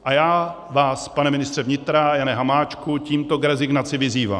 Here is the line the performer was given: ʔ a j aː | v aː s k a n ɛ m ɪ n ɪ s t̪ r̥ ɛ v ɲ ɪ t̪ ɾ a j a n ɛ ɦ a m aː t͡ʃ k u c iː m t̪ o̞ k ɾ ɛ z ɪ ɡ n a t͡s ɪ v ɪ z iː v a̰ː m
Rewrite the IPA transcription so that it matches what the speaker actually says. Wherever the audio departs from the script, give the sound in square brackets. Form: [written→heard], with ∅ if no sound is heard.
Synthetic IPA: ʔ a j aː | v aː s [k→p] a n ɛ m ɪ n ɪ s t̪ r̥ ɛ v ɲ ɪ t̪ ɾ a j a n ɛ ɦ a m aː t͡ʃ k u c iː m t̪ o̞ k ɾ ɛ z ɪ ɡ n a t͡s ɪ v ɪ z iː v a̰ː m